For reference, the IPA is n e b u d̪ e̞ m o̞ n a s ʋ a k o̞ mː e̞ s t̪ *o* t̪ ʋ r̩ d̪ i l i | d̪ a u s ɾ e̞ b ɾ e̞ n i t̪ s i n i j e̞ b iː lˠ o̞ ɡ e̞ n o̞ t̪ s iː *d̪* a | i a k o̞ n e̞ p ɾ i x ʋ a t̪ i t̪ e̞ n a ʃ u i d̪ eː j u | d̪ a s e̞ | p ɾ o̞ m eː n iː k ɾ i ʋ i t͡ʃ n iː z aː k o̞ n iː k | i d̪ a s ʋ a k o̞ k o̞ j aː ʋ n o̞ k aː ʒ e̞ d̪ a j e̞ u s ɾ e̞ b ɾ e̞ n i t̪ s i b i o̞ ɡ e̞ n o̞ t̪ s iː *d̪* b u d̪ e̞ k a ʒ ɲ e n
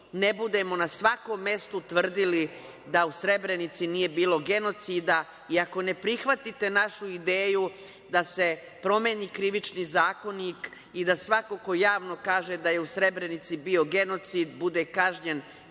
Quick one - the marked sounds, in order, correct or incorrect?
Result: incorrect: u, correct, correct

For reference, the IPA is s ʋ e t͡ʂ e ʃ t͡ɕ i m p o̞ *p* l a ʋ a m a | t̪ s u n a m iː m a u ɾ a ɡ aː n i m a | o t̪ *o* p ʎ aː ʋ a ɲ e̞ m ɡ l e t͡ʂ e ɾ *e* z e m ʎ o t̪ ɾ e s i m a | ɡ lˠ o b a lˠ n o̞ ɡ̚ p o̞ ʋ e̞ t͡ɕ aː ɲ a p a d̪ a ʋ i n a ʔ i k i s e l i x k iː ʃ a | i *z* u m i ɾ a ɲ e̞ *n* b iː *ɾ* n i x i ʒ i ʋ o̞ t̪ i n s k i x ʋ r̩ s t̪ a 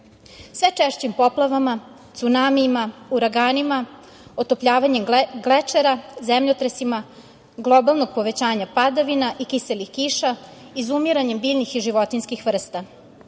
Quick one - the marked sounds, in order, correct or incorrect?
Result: correct, correct, incorrect: a, correct, incorrect: m, incorrect: ʎ

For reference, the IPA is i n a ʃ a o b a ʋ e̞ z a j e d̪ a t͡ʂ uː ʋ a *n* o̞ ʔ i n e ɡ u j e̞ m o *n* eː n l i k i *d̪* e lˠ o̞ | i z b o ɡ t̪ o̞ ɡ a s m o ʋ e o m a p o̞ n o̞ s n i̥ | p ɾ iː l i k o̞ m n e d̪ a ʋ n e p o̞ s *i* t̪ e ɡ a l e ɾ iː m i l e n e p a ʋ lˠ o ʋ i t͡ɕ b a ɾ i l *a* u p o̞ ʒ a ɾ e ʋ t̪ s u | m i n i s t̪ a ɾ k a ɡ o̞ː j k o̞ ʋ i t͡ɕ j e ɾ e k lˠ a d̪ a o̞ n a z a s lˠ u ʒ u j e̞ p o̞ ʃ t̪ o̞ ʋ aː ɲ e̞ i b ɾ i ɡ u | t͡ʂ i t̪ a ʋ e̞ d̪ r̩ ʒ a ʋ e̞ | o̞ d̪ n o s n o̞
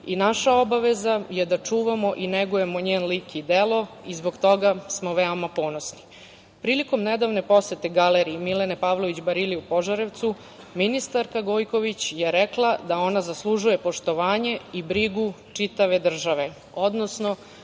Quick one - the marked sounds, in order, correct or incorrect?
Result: incorrect: m, incorrect: ɲ, correct, incorrect: e, incorrect: i

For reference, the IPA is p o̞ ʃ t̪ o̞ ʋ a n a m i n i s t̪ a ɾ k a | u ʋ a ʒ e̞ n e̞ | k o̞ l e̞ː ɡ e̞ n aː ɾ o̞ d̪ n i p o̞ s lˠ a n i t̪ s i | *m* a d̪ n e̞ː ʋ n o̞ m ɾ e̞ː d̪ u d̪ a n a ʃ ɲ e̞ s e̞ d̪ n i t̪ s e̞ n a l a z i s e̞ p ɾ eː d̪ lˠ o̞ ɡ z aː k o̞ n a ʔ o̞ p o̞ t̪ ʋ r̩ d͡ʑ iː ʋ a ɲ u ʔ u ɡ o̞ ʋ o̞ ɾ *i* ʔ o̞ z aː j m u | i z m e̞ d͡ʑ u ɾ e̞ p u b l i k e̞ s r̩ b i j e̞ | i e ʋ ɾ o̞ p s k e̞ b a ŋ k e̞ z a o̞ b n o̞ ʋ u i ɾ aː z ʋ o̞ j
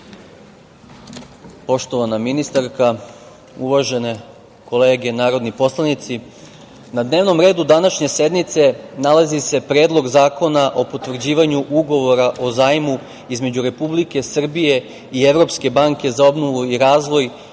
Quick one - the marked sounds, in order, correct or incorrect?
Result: incorrect: n, incorrect: a

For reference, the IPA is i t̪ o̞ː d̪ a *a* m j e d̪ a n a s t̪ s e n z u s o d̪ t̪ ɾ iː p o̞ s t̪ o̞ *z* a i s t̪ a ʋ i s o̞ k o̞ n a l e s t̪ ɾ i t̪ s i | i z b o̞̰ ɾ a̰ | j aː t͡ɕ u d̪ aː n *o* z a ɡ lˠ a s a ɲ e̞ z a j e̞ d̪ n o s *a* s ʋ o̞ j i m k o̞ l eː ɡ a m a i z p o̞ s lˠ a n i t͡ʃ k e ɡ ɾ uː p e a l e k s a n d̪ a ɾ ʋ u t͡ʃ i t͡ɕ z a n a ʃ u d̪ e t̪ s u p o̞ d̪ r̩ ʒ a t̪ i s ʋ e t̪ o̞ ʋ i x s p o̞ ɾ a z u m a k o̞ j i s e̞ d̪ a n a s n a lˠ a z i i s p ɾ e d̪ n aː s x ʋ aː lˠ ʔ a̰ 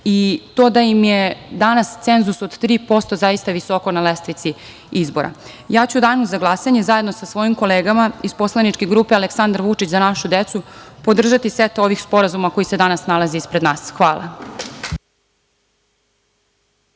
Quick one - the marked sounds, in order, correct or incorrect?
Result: incorrect: i, correct, incorrect: u, correct

